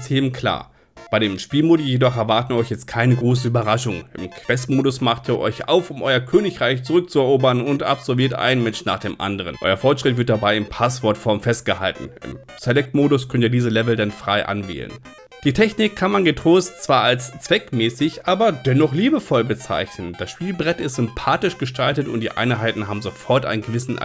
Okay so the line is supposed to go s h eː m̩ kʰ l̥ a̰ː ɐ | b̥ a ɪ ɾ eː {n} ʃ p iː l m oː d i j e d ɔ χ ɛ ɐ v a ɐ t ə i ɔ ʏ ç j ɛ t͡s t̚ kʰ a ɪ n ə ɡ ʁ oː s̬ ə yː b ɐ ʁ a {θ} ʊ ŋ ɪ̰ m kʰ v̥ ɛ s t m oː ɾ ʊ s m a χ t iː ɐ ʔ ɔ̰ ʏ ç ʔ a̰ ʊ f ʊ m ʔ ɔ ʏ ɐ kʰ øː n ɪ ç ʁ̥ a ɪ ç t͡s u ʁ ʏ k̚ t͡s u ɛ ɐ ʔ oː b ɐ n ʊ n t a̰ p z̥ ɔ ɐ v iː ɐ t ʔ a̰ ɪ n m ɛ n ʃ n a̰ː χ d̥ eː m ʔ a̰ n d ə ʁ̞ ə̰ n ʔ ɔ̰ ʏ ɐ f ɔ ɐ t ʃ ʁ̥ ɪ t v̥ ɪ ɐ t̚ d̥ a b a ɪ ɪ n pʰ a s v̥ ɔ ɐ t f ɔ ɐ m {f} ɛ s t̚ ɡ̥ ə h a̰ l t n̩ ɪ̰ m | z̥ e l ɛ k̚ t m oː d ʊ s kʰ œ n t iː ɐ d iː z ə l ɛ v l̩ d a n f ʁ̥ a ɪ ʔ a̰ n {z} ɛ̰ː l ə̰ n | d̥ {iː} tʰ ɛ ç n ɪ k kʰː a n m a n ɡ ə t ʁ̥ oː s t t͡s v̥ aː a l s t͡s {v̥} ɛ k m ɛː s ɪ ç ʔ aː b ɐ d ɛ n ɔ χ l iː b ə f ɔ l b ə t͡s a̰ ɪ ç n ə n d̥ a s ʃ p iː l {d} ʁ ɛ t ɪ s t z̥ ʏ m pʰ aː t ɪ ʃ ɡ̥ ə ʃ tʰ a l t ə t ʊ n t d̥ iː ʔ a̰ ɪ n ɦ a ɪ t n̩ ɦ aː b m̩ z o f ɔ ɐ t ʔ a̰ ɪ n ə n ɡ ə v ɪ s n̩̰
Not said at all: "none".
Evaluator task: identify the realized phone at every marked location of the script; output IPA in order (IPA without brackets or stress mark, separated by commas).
m, ʃ, f, v, iː, v̥, b